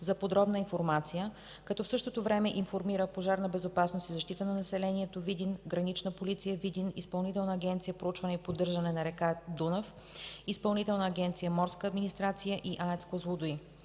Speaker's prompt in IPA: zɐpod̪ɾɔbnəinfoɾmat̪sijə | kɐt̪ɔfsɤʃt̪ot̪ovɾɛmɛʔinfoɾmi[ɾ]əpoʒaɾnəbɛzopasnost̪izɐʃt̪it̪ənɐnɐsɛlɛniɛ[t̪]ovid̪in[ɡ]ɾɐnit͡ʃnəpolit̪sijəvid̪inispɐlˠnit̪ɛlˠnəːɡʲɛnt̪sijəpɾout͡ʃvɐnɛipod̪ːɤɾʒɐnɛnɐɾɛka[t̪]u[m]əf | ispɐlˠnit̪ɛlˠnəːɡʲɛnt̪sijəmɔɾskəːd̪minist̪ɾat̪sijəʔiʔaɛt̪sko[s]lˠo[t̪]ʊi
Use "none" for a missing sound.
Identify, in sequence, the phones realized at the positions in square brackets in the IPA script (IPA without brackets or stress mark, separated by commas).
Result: ɾ, t̪, ɡ, d̪, n, z, d̪